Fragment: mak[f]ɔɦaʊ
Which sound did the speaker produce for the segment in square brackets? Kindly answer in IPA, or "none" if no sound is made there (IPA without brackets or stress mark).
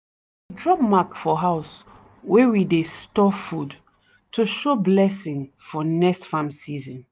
f